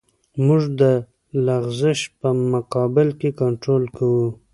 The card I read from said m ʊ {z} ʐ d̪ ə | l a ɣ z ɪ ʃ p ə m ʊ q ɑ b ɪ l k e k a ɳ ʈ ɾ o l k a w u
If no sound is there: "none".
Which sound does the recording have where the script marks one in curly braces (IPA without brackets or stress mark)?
none